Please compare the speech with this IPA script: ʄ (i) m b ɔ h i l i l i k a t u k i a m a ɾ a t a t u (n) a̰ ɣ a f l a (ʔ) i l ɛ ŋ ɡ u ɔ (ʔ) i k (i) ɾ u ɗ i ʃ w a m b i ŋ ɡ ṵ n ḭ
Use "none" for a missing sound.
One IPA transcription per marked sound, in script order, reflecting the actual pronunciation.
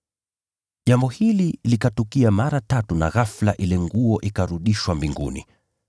a, n, ʔ, ʔ, a

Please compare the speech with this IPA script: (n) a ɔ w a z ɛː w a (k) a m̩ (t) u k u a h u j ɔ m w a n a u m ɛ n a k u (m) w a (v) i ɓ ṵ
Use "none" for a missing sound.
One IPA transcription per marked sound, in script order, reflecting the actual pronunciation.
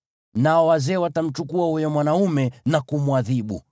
n, t, t͡ʃ, m, ð

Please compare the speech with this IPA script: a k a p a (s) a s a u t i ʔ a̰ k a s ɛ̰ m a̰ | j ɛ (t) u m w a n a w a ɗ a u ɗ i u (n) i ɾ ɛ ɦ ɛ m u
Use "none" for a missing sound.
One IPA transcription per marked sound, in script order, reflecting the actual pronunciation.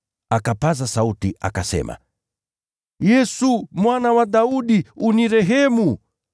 z, s, n

